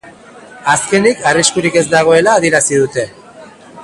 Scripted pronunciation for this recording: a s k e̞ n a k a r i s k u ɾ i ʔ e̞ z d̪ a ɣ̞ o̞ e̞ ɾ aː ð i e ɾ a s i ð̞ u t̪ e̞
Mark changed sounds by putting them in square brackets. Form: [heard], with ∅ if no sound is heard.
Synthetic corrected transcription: a s k e̞ n [i] k a r i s k u ɾ i [k] e̞ z d̪ a ɣ̞ o̞ e̞ [l] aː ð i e ɾ a s i ð̞ u t̪ e̞